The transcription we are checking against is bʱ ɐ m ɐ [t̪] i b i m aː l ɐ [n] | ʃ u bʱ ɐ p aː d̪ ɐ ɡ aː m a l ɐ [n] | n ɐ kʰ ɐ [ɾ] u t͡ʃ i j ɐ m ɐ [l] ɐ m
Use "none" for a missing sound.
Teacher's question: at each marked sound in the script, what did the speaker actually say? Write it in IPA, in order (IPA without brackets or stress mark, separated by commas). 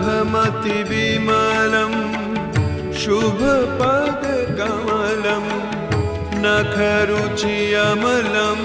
t̪, m, m, ɾ, l